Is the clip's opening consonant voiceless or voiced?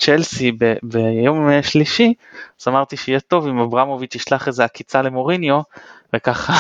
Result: voiceless